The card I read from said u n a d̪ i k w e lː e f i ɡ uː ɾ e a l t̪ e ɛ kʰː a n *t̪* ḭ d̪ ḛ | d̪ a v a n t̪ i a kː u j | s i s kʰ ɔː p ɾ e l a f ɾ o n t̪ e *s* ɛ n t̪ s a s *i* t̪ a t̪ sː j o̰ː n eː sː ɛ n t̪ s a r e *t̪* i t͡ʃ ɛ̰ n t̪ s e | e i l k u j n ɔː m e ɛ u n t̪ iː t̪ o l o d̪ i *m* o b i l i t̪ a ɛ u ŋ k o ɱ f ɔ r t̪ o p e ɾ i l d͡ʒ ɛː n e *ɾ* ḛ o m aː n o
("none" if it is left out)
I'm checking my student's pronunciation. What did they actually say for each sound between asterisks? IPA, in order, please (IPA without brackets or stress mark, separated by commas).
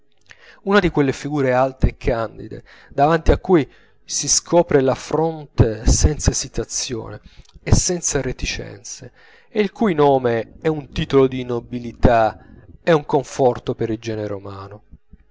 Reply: d̪, s, i, t̪, n, ɾ